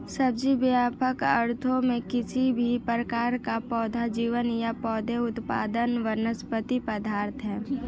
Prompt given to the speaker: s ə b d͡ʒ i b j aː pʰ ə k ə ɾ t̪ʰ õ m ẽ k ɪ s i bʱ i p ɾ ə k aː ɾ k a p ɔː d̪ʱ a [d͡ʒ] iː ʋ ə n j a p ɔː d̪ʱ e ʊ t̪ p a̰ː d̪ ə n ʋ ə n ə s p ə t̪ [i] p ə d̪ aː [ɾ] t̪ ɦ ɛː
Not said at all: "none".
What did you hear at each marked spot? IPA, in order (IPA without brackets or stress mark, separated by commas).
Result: d͡ʒ, i, ɾ